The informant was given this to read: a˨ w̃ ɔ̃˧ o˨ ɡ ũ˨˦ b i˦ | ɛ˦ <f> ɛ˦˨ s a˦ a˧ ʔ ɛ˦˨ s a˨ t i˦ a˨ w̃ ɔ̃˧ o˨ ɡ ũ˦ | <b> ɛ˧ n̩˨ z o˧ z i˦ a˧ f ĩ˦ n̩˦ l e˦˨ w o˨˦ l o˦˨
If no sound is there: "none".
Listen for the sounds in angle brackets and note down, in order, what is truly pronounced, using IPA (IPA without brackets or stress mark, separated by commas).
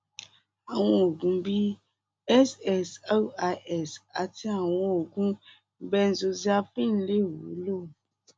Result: s, b